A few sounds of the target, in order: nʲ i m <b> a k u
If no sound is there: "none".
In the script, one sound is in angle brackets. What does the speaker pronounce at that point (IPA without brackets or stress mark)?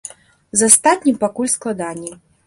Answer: p